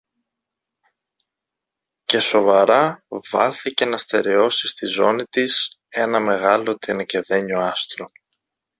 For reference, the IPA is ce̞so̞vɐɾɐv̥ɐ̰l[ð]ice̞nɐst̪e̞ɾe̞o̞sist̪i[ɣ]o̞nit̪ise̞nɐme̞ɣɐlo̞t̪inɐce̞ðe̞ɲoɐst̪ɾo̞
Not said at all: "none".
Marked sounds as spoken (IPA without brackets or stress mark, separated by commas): θ, z